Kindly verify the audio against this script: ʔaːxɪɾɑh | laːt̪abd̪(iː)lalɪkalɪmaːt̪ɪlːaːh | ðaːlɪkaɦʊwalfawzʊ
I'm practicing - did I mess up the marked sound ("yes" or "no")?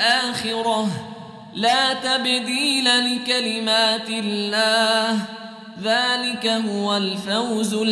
no